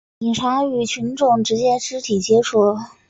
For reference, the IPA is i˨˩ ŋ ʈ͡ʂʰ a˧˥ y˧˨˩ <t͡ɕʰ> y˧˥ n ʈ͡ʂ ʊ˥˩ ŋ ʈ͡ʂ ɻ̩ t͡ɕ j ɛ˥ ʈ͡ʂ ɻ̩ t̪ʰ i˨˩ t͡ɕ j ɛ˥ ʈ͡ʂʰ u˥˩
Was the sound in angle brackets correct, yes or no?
yes